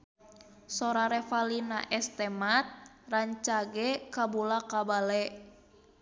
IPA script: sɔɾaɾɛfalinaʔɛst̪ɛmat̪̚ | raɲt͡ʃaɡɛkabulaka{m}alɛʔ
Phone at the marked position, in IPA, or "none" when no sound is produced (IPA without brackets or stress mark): b